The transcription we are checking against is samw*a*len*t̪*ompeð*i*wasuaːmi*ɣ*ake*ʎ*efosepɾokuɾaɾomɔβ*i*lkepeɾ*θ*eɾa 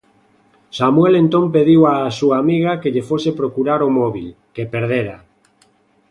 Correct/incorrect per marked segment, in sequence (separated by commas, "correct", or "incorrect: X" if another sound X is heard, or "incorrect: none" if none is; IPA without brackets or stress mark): incorrect: e, correct, correct, correct, correct, correct, incorrect: ð